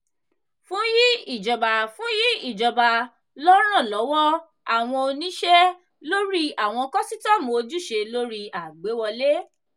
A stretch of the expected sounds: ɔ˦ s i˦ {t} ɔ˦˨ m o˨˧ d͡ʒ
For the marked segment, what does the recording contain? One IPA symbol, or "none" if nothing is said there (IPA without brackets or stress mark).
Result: t